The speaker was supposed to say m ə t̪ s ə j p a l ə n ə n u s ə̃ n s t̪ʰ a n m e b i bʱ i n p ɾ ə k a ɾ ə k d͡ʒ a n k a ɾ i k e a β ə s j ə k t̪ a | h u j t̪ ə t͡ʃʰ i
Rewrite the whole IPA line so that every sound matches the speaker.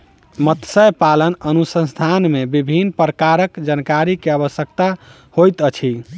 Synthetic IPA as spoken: m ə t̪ s ə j p a l ə n ə n u s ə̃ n s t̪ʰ a n m e b i bʱ i n p ɾ ə k a ɾ ə k d͡ʒ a n k a ɾ i k e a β ə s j ə k t̪ a | h o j t̪ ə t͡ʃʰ i